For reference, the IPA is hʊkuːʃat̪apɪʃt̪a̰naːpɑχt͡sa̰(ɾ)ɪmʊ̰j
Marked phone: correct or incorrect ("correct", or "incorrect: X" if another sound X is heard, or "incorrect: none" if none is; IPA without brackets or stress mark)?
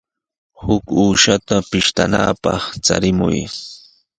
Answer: correct